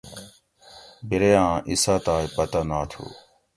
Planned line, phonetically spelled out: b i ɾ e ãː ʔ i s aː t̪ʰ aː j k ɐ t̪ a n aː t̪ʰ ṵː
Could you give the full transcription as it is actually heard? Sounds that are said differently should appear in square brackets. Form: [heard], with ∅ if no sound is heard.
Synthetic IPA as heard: b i ɾ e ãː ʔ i s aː [t̪] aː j [p] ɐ t̪ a n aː t̪ʰ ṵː